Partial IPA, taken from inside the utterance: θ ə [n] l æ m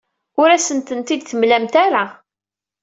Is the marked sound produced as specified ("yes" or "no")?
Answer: no